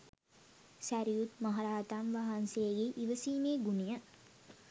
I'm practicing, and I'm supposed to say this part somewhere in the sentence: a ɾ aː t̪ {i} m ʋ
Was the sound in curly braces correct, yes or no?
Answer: no